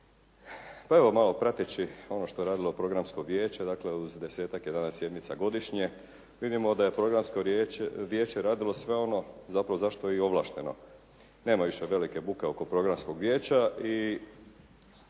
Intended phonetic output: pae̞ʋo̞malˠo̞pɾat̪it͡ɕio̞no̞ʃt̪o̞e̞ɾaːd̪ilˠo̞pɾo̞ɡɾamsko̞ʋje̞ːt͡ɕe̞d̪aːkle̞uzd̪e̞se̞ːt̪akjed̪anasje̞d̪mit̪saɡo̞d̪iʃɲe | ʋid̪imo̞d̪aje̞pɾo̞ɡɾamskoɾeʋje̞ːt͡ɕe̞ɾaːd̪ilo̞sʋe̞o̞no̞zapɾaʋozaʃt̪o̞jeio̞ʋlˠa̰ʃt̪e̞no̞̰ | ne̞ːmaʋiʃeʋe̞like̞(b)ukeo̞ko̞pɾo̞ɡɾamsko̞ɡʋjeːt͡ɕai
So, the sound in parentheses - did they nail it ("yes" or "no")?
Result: yes